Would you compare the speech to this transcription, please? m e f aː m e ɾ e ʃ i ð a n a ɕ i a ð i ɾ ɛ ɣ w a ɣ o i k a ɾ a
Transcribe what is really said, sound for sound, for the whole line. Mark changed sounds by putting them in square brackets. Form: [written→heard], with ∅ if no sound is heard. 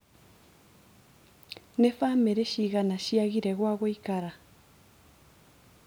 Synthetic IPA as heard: [m→n] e f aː m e ɾ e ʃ i [ð→ɣ] a n a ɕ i a [ð→ɣ] i ɾ ɛ ɣ w a ɣ o i k a ɾ a